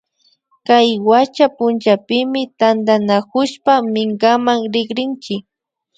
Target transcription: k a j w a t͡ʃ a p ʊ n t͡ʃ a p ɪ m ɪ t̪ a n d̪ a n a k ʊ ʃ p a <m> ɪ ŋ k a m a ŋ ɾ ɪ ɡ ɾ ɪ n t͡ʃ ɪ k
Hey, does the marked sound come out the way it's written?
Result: yes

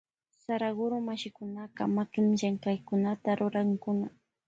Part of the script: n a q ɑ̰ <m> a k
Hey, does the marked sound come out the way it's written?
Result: yes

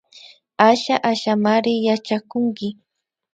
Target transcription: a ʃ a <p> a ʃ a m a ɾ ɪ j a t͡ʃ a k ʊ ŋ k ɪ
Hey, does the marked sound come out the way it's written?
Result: no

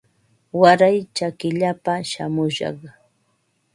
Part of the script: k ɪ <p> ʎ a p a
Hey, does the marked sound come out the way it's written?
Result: no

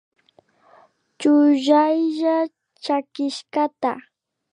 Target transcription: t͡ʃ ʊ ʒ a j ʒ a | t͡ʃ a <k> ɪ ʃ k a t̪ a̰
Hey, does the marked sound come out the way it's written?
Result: yes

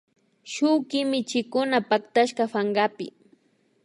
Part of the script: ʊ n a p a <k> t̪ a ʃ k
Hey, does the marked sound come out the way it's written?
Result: yes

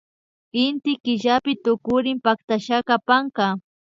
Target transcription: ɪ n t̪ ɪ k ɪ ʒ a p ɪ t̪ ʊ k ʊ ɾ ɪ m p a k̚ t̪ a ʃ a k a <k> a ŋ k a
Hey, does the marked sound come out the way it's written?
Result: no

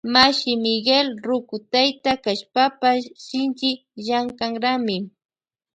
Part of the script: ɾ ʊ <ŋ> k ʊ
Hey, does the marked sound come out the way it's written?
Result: no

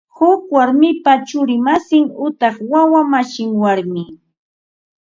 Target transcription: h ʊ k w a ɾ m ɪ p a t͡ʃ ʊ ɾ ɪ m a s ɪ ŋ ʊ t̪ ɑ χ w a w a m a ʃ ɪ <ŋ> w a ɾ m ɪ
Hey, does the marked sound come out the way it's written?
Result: yes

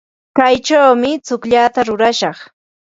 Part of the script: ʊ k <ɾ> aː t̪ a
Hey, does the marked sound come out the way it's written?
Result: no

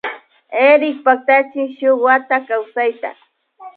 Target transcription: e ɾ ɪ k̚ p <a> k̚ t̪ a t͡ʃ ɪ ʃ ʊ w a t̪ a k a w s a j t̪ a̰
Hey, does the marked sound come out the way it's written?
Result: yes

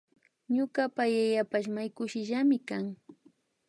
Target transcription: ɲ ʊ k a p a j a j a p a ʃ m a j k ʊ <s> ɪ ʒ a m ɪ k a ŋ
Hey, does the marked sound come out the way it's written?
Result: no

